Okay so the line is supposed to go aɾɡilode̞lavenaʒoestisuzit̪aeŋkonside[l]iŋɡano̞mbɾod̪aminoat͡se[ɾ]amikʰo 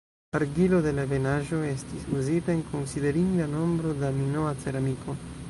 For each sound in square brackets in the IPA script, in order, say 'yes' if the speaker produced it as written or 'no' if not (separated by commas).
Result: no, yes